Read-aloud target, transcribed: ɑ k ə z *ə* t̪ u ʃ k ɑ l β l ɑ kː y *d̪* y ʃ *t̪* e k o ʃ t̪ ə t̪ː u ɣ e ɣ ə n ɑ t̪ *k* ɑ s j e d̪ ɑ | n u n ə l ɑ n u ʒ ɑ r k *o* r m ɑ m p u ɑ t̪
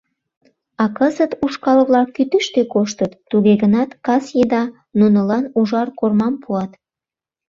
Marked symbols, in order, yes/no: yes, no, yes, yes, yes

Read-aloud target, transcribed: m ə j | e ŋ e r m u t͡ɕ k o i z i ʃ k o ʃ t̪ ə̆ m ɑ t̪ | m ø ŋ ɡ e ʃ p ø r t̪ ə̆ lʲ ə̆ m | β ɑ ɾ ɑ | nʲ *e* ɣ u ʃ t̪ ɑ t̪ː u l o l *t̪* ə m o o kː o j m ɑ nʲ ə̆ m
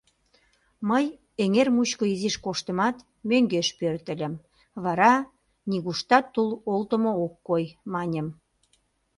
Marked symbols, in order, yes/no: no, yes

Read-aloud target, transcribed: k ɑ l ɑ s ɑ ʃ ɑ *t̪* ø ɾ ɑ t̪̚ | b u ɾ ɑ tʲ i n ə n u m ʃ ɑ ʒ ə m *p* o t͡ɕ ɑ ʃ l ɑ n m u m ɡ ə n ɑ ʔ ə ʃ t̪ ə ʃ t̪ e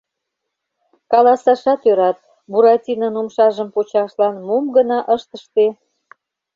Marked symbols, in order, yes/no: yes, yes

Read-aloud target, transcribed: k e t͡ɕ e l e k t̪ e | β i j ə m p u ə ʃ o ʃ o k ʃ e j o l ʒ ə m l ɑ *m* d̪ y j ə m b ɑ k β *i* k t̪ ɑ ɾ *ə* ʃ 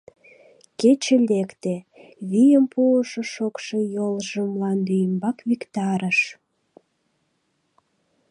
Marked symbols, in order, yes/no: no, yes, yes

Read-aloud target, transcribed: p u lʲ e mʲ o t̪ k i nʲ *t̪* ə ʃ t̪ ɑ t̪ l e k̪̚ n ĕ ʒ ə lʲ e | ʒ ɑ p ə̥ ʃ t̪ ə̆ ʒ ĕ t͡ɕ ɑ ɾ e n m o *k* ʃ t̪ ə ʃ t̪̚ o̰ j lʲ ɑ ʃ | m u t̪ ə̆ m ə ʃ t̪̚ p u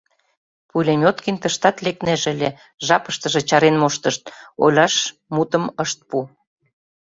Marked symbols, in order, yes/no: yes, no

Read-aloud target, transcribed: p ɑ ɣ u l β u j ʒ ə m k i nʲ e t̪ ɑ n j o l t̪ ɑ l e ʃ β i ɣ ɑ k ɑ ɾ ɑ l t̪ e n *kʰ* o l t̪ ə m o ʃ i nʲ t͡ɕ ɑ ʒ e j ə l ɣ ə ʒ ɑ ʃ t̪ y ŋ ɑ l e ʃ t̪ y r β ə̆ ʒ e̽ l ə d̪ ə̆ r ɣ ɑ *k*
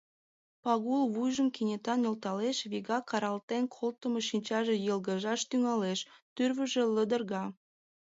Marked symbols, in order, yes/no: yes, no

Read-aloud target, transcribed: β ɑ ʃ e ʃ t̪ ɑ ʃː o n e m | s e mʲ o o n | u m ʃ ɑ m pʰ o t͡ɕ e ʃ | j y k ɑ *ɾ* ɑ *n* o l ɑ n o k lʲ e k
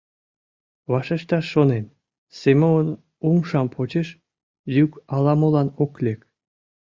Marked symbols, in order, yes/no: no, no

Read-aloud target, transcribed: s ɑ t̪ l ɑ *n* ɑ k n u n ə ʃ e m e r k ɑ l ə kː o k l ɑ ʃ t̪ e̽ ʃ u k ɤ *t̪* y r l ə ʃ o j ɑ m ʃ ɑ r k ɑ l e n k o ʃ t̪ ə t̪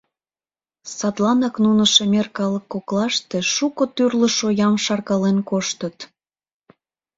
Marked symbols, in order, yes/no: yes, yes

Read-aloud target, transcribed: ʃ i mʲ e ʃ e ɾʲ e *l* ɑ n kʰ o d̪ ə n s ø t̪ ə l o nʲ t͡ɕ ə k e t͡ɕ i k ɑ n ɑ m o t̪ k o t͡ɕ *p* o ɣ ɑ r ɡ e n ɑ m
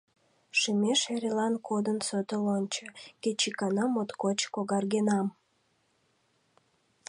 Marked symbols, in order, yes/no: yes, no

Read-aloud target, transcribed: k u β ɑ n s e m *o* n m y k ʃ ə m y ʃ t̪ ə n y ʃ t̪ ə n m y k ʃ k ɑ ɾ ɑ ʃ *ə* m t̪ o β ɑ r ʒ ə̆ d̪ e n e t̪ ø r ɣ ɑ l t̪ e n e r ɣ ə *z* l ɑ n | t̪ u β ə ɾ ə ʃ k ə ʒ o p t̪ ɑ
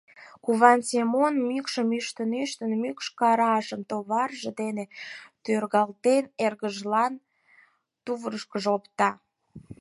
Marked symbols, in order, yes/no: yes, yes, no

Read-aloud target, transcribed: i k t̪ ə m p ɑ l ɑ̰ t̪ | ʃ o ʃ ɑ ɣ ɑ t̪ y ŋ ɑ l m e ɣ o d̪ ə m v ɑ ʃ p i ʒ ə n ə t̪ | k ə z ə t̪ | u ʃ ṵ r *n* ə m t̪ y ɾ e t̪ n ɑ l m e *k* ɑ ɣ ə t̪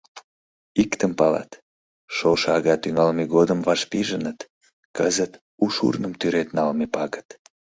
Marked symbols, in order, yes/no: yes, no

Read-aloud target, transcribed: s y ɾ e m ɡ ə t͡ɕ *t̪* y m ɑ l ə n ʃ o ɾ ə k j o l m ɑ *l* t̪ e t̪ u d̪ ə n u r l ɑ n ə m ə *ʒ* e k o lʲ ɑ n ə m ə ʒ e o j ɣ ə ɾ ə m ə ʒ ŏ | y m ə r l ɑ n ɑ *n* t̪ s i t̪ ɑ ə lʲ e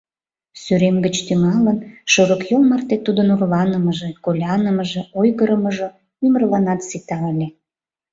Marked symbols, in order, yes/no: yes, no, yes, no

